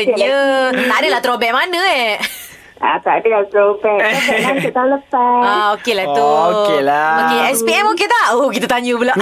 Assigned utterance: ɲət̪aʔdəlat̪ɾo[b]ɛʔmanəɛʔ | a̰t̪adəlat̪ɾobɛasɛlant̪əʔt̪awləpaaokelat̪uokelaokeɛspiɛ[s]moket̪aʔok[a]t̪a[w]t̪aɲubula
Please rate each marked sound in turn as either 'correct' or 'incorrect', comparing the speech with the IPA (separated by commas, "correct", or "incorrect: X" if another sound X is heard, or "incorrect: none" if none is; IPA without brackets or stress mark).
correct, incorrect: none, incorrect: i, incorrect: none